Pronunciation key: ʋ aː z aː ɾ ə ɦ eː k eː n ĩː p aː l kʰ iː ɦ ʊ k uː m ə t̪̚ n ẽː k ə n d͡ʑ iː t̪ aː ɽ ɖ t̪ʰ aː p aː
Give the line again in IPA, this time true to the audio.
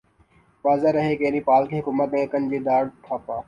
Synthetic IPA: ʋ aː z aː ɾ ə ɦ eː k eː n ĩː p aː l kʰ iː ɦ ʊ k uː m ə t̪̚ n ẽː k ə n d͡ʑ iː d̪ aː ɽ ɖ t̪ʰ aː p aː